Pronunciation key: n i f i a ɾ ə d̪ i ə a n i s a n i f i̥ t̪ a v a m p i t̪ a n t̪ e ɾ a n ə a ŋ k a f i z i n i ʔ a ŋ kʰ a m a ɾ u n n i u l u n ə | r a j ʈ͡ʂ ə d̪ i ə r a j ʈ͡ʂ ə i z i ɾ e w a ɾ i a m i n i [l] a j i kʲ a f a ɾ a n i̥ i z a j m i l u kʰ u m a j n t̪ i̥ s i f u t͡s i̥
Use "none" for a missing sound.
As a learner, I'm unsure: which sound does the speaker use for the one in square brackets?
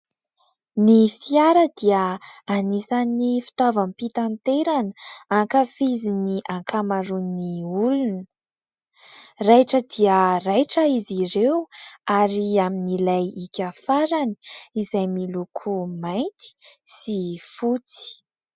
l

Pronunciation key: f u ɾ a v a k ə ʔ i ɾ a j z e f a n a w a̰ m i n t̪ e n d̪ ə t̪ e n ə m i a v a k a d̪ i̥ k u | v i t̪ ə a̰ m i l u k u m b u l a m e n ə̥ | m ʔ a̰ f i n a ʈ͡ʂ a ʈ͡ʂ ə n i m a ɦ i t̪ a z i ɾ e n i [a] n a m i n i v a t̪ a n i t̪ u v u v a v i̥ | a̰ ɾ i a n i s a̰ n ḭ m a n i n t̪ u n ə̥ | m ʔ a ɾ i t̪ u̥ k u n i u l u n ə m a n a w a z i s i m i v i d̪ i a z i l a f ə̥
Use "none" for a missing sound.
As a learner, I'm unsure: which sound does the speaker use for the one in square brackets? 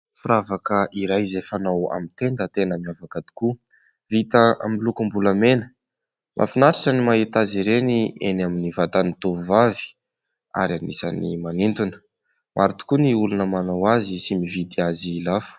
e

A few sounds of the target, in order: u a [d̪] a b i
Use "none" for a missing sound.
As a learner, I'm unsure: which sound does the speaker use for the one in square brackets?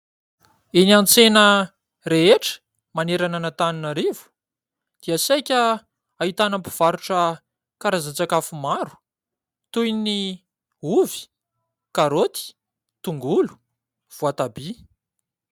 t̪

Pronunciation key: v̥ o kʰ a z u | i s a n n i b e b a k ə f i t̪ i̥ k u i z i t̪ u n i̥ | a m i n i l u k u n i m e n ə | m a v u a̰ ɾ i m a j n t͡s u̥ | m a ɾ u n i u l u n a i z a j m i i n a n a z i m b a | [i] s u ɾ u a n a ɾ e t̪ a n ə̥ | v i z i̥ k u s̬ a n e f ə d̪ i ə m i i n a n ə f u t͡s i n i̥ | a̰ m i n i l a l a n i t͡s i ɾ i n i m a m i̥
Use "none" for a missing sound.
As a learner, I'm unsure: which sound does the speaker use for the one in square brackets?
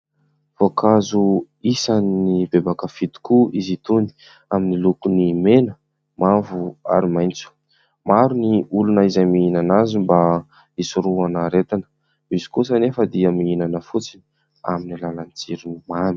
i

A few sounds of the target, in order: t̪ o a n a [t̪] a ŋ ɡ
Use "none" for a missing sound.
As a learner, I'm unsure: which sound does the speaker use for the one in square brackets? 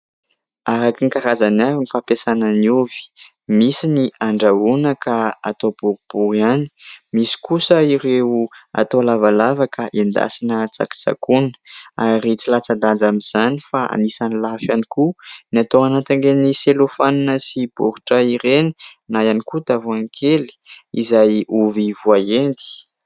t̪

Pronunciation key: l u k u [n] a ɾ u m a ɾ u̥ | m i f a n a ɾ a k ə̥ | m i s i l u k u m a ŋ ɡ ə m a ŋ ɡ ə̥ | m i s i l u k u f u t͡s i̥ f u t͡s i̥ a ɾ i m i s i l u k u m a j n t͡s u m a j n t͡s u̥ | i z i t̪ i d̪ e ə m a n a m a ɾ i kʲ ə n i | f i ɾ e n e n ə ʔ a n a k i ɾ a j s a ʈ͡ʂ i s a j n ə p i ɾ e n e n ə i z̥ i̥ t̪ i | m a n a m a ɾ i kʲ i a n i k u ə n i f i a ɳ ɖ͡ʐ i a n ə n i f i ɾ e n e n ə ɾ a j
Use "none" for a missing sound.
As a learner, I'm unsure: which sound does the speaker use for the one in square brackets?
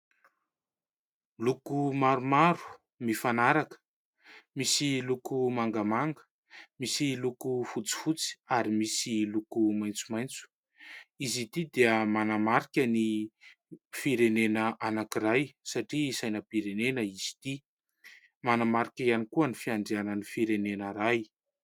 m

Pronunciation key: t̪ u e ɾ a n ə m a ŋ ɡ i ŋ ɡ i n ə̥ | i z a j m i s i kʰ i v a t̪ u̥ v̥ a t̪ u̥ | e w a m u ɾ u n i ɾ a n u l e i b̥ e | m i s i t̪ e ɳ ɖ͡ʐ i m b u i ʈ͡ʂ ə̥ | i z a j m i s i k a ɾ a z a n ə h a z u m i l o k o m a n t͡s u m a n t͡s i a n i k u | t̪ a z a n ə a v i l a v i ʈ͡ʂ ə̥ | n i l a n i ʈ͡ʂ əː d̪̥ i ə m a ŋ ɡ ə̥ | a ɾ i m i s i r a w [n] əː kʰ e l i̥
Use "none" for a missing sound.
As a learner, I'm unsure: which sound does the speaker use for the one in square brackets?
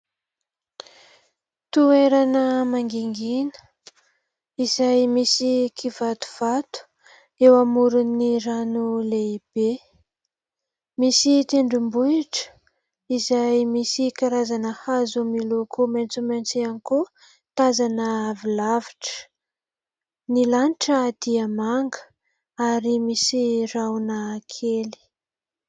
n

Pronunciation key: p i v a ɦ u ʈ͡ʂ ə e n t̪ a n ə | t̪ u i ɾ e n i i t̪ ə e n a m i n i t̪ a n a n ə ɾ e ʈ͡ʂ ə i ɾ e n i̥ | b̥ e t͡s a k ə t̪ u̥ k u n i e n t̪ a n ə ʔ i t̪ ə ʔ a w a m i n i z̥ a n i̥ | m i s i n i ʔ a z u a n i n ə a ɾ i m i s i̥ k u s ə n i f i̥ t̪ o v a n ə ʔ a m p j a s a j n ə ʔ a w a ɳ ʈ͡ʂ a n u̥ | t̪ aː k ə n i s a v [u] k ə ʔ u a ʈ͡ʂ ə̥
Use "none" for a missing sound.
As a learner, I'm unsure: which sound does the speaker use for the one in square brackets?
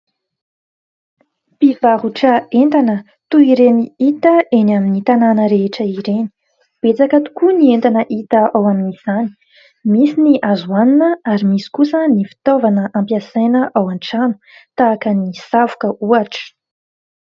u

